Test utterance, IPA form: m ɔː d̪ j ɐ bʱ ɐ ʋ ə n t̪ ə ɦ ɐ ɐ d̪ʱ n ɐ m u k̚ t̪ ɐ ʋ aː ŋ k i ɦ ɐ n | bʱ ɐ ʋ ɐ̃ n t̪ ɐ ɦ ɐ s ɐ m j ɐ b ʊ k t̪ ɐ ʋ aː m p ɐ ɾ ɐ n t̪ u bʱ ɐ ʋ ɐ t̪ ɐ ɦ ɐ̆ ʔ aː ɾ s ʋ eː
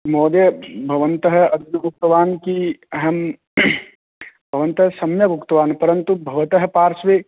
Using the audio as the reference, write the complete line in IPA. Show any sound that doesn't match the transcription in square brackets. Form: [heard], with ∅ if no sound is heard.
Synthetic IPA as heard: m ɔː d̪ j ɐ bʱ ɐ ʋ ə n t̪ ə ɦ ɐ ɐ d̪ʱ n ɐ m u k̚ t̪ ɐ ʋ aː [n] k i ɦ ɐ [m] | bʱ ɐ ʋ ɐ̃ n t̪ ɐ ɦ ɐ s ɐ m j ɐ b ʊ k t̪ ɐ ʋ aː [n] p ɐ ɾ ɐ n t̪ u bʱ ɐ ʋ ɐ t̪ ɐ ɦ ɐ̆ [p] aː ɾ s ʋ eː